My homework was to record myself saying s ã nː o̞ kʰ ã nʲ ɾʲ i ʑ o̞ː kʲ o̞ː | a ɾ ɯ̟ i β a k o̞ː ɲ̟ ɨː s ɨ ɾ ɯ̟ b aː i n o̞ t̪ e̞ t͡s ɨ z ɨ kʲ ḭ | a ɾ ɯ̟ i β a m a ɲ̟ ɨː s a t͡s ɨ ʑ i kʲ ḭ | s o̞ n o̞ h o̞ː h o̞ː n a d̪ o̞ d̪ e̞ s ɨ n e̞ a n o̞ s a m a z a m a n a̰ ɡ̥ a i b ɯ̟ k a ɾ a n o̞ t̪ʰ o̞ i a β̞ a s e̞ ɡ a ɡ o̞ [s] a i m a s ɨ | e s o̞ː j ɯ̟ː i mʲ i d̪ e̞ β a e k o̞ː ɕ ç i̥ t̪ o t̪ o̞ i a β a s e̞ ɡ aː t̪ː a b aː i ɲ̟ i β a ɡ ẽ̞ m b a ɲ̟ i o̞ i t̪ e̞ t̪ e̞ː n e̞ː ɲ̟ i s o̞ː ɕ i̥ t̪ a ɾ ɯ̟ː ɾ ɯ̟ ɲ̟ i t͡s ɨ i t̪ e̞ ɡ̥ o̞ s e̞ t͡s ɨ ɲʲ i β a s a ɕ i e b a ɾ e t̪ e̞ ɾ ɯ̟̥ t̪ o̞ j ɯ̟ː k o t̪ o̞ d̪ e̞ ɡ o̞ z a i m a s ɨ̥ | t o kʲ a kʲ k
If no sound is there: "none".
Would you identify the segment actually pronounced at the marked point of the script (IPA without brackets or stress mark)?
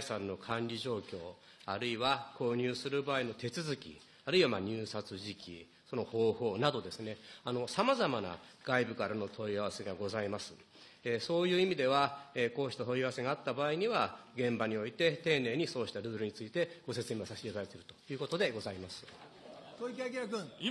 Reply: z